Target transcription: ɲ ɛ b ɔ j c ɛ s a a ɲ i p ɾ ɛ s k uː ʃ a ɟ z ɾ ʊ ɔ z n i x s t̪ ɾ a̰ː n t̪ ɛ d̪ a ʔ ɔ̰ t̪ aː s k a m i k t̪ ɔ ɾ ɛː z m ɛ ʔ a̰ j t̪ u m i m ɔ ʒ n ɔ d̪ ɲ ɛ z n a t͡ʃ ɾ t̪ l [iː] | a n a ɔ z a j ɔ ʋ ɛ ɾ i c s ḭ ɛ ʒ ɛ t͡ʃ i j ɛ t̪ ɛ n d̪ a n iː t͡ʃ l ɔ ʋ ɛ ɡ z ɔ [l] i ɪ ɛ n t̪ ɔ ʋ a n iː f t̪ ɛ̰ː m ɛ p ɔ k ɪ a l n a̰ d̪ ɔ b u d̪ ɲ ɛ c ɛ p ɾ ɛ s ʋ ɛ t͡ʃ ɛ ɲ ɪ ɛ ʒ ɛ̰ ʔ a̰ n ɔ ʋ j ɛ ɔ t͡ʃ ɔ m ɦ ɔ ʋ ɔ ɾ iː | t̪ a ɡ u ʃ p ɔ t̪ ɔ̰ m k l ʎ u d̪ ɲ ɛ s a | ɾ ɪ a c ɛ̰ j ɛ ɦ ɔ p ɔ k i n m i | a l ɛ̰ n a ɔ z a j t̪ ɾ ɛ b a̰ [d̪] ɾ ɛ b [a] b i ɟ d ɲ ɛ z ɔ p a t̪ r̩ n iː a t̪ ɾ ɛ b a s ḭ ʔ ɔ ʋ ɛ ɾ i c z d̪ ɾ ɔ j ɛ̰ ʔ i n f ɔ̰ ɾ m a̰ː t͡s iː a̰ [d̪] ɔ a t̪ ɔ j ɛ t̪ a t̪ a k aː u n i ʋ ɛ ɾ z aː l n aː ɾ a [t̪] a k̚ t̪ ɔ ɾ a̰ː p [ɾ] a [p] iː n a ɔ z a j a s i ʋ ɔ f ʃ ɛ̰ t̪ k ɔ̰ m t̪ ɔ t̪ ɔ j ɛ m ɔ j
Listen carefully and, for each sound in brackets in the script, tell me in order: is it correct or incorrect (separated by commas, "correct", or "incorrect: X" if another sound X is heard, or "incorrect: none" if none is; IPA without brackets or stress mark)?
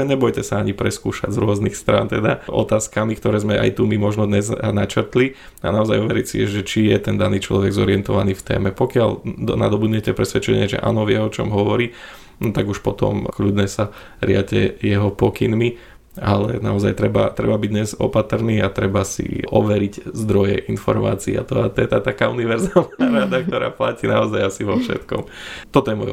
incorrect: i, incorrect: ɾ, incorrect: t̪, correct, incorrect: t̪, incorrect: d̪, incorrect: l, incorrect: c